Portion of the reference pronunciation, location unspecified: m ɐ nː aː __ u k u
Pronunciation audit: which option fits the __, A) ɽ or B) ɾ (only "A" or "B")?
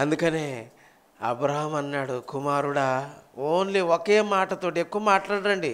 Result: A